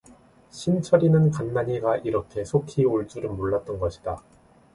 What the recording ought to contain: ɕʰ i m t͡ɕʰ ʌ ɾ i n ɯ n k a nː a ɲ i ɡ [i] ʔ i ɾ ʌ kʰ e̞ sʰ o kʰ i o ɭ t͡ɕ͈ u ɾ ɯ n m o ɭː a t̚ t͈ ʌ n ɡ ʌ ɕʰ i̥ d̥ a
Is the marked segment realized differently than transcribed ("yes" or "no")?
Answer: yes